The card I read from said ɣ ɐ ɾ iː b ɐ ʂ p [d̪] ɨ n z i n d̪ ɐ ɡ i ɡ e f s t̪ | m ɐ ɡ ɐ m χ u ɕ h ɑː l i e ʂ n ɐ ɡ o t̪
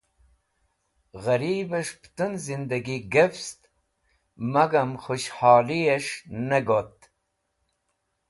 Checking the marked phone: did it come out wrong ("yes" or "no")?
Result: yes